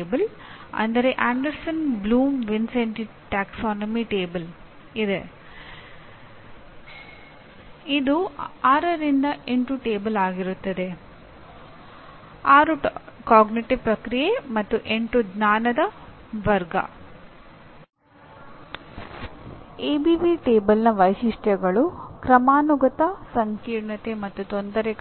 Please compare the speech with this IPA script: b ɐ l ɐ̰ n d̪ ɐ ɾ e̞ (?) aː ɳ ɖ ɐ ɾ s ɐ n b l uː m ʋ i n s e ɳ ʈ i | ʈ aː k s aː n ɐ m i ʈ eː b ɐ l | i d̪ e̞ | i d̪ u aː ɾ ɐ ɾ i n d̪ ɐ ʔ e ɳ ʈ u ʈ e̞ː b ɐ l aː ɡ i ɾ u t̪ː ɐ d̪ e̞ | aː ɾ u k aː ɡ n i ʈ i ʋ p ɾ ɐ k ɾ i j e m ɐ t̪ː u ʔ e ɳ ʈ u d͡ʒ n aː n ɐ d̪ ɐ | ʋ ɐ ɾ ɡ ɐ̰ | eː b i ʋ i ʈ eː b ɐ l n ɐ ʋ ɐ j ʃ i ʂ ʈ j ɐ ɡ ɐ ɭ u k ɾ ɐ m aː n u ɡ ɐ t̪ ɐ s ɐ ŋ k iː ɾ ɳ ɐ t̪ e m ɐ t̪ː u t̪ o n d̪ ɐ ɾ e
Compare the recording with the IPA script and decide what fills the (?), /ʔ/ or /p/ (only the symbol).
ʔ